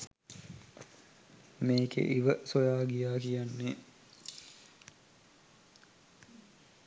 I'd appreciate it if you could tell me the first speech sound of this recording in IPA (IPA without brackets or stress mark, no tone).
m